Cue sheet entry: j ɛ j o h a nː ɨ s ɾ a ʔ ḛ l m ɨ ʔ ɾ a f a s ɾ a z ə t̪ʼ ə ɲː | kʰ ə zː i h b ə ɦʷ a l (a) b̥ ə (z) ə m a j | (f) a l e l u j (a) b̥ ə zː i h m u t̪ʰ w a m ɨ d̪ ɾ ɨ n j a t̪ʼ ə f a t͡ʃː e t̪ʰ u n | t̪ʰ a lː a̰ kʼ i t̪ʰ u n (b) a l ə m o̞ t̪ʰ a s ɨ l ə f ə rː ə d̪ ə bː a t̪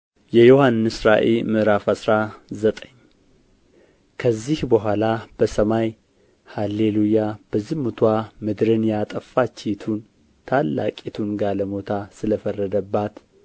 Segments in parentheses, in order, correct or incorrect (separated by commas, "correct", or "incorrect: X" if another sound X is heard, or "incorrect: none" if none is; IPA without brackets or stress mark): correct, incorrect: s, incorrect: h, correct, incorrect: ɡ